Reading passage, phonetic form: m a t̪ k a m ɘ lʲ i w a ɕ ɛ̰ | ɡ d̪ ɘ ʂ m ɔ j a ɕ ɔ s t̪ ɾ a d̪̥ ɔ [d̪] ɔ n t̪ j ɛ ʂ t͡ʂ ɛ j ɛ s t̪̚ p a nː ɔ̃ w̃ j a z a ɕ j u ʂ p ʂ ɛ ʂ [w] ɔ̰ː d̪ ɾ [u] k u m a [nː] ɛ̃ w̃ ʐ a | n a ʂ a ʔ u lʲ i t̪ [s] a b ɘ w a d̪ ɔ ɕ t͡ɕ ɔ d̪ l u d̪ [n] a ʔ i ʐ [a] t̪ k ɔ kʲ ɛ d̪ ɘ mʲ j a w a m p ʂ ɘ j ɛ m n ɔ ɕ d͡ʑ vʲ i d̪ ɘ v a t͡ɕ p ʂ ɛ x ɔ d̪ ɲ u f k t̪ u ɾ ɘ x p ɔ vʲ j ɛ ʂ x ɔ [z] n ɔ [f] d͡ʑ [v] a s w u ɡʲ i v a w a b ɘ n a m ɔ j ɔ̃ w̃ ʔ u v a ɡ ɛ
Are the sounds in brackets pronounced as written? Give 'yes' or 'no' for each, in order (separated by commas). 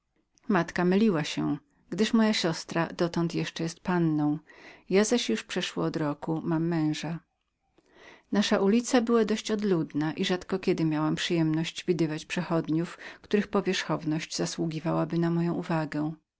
no, yes, no, no, yes, yes, yes, no, no, no